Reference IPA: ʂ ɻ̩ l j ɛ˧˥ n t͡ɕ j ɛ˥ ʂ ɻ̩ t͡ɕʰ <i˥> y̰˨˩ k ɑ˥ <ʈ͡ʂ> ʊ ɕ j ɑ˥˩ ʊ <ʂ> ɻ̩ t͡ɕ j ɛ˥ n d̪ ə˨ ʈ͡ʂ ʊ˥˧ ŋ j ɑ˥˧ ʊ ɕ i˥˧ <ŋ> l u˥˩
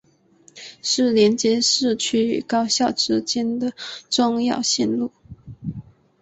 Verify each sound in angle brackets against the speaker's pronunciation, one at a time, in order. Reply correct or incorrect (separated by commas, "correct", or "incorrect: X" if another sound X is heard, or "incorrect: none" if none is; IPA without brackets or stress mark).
incorrect: y˥, incorrect: none, incorrect: ʈ͡ʂ, incorrect: n